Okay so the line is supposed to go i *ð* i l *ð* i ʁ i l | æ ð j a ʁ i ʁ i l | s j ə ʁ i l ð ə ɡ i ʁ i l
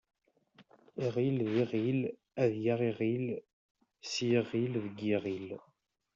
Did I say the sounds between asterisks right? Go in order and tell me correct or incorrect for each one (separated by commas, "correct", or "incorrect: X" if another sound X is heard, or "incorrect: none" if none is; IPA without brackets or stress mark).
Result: incorrect: ʁ, correct